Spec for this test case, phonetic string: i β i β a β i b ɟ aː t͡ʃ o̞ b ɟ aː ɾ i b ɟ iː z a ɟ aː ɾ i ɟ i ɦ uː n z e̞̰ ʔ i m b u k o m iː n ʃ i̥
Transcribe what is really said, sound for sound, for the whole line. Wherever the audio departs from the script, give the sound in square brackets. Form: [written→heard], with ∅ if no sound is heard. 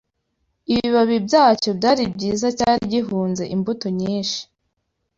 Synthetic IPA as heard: i β i β a β i b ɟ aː t͡ʃ o̞ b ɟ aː ɾ i b ɟ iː z a [ɟ→c] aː ɾ i ɟ i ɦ uː n z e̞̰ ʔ i m b u [k→t] o [m→ɲ] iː n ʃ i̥

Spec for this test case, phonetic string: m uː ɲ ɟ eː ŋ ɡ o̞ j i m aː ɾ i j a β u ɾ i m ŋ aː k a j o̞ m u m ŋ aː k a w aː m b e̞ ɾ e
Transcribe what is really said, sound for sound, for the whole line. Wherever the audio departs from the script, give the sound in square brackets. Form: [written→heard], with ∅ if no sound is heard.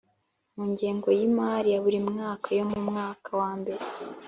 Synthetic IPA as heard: m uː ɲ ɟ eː ŋ ɡ o̞ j i m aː ɾ i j a β u ɾ i m ŋ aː k a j o̞ m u m ŋ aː k a w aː m b e̞ ɾ e

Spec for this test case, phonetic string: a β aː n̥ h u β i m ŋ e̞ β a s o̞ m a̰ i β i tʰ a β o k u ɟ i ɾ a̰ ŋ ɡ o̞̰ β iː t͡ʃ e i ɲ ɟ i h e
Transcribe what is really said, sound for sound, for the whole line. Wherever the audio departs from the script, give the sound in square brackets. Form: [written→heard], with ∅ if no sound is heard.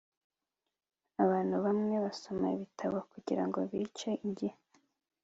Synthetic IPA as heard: a β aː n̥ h u β [i→a] m ŋ e̞ β a s o̞ m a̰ i β i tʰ a β o k u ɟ i ɾ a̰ ŋ ɡ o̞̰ β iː t͡ʃ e i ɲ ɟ i h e

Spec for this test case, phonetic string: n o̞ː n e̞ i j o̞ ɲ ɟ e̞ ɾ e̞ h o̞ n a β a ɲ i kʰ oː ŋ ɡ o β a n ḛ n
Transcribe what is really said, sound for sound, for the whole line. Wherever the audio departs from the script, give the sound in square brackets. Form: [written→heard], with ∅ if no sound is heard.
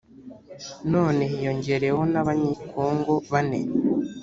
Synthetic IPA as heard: n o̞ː n e̞ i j o̞ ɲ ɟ e̞ ɾ e̞ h o̞ n a β a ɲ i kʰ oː ŋ ɡ o β a n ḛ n

